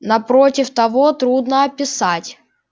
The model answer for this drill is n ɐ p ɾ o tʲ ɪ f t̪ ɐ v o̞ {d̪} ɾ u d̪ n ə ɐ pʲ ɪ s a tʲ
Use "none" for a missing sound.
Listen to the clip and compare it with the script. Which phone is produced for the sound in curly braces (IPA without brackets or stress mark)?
t̪